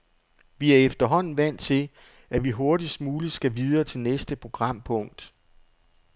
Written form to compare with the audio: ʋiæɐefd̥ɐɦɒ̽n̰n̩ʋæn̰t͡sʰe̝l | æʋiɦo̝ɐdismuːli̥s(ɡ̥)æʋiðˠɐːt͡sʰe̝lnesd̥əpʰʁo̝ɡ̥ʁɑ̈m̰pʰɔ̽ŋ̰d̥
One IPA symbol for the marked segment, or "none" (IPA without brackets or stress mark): ɡ̥